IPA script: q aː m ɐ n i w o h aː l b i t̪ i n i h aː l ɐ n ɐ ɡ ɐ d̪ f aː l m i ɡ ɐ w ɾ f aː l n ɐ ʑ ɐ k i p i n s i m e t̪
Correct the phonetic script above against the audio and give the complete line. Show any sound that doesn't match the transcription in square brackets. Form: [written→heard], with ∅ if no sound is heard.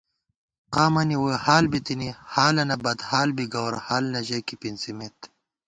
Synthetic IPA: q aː m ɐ n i w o h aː l b i t̪ i n i h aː l ɐ n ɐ [ɡ→b] ɐ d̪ [f→h] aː l [m→b] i ɡ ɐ w ɾ [f→h] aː l n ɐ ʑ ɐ k i p i n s i m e t̪